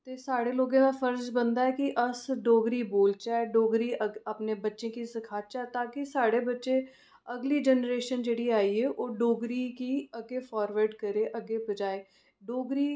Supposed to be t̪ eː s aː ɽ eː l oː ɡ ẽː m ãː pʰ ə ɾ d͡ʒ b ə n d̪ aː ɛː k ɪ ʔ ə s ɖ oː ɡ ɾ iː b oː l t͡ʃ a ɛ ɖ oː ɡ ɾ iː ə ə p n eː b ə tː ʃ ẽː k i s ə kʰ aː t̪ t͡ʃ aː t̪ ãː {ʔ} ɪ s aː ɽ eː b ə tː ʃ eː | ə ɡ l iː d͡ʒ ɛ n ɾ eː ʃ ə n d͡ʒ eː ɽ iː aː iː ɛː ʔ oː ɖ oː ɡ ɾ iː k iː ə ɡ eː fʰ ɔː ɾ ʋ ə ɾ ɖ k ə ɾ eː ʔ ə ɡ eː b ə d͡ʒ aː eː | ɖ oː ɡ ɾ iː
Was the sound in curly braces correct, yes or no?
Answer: no